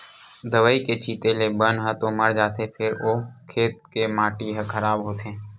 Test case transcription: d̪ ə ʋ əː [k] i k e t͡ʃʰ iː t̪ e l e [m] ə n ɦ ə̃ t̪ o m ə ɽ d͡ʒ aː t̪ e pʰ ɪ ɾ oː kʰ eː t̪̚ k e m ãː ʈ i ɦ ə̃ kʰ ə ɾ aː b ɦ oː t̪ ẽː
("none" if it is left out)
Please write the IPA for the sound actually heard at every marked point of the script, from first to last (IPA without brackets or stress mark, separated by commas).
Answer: none, b